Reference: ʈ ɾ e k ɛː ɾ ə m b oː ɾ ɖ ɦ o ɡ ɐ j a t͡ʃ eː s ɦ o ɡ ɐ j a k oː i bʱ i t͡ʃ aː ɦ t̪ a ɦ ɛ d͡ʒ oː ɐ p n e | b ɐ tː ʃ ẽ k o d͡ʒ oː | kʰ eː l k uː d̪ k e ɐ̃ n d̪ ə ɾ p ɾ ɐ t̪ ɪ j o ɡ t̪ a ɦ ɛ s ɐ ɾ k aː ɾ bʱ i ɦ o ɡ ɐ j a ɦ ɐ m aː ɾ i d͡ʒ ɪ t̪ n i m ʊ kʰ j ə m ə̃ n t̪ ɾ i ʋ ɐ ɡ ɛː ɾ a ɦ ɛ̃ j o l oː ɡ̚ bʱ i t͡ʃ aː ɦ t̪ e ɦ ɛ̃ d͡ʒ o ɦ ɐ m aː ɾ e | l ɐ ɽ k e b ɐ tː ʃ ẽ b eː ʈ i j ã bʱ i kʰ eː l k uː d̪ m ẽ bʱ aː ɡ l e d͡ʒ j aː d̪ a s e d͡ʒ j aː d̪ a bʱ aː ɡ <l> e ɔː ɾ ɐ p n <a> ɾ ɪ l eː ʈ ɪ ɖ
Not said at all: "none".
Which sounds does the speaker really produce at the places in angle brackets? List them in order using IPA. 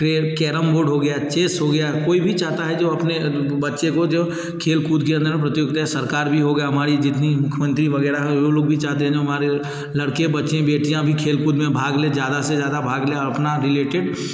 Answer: l, a

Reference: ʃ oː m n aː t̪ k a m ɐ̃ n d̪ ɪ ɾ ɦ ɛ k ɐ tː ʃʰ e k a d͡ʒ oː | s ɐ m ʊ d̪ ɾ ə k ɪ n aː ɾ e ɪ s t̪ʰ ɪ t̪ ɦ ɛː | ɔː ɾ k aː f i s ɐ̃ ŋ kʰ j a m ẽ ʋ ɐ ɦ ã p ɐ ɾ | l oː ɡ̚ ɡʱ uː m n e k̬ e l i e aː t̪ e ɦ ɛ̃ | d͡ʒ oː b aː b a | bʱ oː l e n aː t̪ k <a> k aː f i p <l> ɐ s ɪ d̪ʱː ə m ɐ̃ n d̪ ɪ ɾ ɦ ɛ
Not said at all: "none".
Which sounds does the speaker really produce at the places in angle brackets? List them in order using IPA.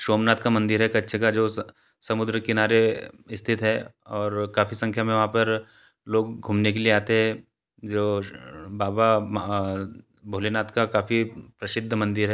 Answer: a, ɾ

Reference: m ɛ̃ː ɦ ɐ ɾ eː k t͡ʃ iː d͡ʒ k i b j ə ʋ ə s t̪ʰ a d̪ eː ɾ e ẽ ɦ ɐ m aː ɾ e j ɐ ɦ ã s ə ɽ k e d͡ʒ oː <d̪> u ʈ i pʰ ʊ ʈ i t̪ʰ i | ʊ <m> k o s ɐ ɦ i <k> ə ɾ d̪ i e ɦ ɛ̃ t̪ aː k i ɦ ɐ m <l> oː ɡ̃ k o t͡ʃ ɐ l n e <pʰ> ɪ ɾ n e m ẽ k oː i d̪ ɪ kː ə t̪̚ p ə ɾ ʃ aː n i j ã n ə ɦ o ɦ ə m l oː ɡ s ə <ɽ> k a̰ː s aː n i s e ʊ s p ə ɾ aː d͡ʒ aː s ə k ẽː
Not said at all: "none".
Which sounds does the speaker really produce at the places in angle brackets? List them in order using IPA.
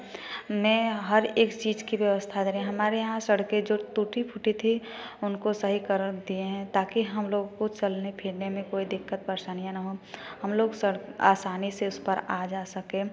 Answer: t̪, n, k, l, pʰ, ɽ

